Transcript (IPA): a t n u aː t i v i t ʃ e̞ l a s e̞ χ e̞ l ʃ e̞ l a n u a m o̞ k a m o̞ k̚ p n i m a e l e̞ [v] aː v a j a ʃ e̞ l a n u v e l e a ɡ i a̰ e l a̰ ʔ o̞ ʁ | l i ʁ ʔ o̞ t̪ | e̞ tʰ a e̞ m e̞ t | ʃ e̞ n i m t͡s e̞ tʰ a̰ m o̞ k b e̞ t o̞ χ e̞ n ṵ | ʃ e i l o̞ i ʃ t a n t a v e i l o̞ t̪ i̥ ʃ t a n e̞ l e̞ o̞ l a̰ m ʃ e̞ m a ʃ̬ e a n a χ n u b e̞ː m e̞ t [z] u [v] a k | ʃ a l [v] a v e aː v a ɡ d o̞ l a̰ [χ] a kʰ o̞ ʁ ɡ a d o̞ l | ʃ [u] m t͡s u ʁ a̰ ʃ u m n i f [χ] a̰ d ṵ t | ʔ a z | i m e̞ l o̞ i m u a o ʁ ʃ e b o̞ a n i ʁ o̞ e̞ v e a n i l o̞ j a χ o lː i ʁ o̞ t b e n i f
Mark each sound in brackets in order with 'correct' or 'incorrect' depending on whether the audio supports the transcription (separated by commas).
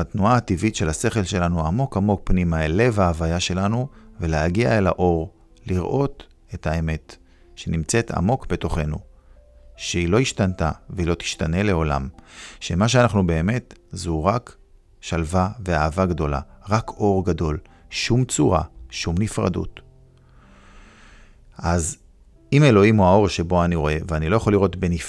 correct, correct, incorrect, correct, incorrect, correct, incorrect